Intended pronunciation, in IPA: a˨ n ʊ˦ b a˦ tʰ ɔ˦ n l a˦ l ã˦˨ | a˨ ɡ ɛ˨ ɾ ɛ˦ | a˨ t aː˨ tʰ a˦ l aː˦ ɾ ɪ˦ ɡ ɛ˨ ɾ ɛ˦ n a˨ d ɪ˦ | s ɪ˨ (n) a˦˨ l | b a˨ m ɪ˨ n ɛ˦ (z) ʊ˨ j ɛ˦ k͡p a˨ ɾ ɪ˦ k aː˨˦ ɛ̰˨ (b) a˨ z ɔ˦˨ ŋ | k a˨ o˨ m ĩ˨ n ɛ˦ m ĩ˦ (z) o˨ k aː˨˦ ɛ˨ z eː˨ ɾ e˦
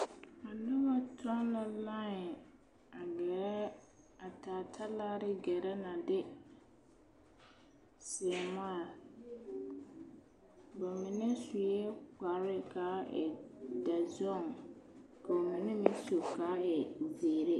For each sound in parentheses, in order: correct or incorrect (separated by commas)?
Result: incorrect, incorrect, incorrect, incorrect